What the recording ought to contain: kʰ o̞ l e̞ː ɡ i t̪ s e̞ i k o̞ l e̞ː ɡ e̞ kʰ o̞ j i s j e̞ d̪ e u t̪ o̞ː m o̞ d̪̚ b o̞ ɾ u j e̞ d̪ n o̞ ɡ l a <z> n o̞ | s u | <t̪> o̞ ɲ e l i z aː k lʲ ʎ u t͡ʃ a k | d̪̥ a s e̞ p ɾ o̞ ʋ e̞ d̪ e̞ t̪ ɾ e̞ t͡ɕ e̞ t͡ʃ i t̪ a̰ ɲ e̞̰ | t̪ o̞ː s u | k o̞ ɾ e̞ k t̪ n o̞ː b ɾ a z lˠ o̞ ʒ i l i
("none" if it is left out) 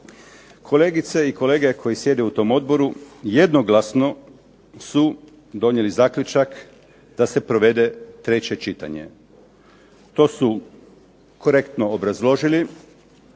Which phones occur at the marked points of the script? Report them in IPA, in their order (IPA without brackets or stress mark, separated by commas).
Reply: s, d̪